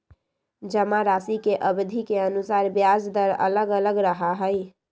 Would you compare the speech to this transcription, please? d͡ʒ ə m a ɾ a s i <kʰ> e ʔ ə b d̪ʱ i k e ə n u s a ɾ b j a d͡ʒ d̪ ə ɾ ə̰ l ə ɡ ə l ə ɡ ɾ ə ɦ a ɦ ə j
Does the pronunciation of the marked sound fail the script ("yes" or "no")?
yes